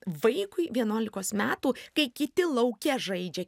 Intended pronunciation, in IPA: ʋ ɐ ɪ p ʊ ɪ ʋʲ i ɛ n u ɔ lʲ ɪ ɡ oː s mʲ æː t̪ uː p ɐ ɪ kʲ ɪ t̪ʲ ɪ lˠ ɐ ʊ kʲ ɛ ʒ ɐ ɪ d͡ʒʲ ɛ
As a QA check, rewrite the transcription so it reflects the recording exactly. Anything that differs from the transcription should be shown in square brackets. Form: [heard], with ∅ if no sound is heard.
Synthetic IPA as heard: ʋ ɐ ɪ [k] ʊ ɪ ʋʲ i ɛ n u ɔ lʲ ɪ [k] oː s mʲ æː t̪ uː [k] ɐ ɪ kʲ ɪ t̪ʲ ɪ lˠ ɐ ʊ kʲ ɛ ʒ ɐ ɪ d͡ʒʲ ɛ